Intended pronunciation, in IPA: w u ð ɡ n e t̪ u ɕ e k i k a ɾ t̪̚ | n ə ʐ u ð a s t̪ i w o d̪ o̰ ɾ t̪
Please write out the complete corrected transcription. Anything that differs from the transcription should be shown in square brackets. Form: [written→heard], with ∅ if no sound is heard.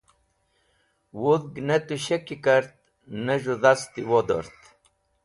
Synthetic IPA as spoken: w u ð ɡ n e t̪ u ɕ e k i k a ɾ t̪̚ | n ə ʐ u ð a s t̪ i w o d̪ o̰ ɾ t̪